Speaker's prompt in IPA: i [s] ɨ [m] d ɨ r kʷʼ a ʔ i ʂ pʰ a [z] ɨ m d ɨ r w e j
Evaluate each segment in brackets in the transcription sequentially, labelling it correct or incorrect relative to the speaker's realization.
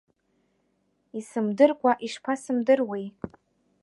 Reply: correct, correct, incorrect: s

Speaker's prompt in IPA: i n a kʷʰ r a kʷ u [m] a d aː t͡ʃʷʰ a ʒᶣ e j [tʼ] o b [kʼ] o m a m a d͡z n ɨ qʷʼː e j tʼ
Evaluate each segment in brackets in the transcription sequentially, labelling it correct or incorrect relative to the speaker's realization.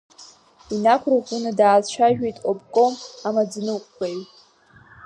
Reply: incorrect: n, correct, correct

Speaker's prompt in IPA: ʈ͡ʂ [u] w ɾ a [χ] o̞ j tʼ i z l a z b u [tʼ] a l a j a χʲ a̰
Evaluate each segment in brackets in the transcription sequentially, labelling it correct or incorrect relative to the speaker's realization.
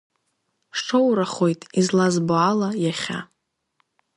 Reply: incorrect: o, correct, incorrect: none

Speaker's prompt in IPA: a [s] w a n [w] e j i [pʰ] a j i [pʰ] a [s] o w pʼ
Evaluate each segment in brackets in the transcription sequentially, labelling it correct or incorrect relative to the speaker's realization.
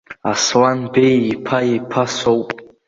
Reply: correct, incorrect: b, correct, correct, correct

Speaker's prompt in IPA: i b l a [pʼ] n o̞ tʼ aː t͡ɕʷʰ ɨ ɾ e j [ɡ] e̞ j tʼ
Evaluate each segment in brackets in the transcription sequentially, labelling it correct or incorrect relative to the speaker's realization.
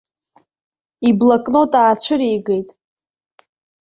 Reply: incorrect: kʼ, correct

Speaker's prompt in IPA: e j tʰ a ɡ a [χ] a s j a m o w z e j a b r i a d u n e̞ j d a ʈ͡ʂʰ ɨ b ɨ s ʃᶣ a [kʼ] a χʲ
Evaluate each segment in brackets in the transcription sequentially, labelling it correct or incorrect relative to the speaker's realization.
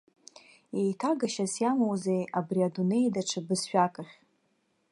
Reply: incorrect: ʃ, correct

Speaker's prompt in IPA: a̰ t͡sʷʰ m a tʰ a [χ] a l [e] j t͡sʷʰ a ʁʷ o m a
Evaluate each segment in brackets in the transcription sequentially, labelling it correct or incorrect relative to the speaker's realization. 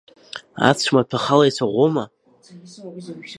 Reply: correct, incorrect: a

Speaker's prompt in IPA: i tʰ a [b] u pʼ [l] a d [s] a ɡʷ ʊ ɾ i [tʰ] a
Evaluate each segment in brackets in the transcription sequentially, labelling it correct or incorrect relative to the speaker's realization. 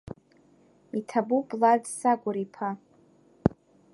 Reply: correct, correct, correct, incorrect: pʰ

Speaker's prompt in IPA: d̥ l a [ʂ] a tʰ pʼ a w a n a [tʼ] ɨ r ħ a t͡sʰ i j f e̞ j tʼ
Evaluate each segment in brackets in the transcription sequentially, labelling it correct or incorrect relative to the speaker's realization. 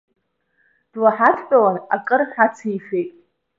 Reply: incorrect: ħ, incorrect: kʼ

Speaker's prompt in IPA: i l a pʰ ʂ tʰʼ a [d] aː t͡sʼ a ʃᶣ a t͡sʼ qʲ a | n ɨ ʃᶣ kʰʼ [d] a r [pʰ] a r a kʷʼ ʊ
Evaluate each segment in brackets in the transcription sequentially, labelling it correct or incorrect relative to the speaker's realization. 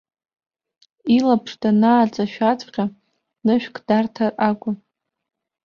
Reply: incorrect: n, correct, incorrect: tʰ

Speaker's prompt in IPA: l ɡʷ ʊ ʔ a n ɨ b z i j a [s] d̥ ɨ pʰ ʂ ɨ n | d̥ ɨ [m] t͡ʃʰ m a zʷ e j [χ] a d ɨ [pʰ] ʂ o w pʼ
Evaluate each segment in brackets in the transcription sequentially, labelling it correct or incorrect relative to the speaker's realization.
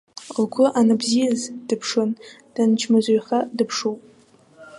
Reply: incorrect: z, incorrect: n, correct, correct

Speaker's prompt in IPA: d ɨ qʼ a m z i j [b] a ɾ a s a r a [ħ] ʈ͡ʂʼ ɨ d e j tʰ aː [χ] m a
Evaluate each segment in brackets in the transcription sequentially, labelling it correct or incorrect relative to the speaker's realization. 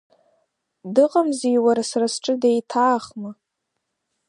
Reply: incorrect: w, incorrect: s, correct

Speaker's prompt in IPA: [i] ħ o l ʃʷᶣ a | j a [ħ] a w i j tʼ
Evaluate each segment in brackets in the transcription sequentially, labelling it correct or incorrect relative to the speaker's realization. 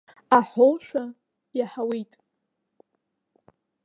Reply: incorrect: a, correct

